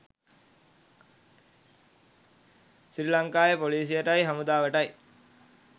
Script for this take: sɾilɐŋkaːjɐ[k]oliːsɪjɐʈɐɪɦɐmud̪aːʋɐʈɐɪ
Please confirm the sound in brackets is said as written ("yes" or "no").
no